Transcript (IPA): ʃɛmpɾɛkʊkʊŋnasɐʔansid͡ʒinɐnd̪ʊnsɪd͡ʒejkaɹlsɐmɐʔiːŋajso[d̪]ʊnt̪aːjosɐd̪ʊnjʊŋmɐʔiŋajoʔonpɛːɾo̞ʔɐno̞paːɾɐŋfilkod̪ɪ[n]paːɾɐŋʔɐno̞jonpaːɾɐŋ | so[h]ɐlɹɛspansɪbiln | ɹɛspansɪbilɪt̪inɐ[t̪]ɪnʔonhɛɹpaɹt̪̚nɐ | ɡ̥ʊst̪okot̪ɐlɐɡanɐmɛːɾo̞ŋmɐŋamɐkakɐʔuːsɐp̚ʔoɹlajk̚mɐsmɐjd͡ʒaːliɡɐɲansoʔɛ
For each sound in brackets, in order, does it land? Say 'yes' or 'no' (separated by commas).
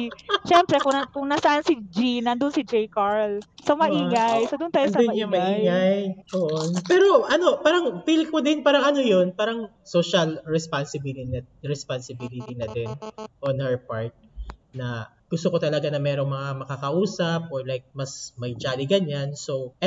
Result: yes, yes, no, no